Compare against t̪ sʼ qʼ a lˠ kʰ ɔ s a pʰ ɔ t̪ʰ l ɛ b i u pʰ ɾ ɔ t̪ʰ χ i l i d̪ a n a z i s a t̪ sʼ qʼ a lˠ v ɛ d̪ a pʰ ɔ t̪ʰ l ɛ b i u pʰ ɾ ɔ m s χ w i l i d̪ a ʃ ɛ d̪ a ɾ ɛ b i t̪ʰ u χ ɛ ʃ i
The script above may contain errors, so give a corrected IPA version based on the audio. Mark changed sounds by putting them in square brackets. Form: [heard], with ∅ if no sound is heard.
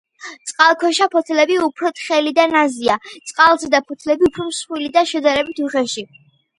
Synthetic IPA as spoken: t̪ sʼ qʼ a lˠ kʰ ɔ [ʃ] a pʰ ɔ t̪ʰ l ɛ b i u pʰ ɾ ɔ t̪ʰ χ [ɛ] l i d̪ a n a z i [∅] a t̪ sʼ qʼ a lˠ [z] ɛ d̪ a pʰ ɔ t̪ʰ l ɛ b i u pʰ ɾ ɔ m s χ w i l i d̪ a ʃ ɛ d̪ a ɾ ɛ b i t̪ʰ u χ ɛ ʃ i